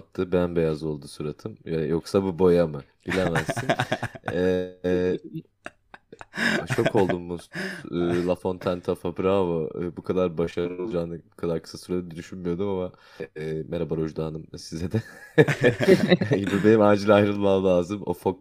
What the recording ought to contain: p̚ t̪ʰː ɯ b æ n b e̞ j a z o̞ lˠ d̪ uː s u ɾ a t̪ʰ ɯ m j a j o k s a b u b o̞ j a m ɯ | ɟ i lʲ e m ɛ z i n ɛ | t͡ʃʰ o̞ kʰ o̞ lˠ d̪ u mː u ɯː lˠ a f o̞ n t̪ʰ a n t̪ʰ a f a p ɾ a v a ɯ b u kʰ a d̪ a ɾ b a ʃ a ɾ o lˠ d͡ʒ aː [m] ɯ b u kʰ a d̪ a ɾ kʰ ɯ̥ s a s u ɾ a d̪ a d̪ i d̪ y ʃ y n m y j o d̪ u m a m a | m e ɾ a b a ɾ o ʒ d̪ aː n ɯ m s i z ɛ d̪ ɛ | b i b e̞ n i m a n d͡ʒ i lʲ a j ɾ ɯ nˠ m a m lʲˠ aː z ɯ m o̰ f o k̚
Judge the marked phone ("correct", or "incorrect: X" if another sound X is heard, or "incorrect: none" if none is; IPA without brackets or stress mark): incorrect: n